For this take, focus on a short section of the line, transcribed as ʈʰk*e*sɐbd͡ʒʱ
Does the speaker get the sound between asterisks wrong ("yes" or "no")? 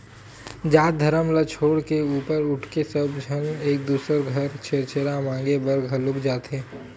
no